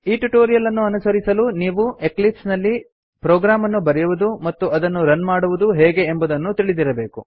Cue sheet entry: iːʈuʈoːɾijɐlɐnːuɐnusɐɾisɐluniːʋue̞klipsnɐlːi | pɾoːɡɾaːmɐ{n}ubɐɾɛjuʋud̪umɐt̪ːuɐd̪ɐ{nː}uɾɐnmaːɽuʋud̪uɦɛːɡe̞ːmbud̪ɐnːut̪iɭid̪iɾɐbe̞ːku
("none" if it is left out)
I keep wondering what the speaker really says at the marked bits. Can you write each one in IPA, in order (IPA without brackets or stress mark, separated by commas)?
nː, nː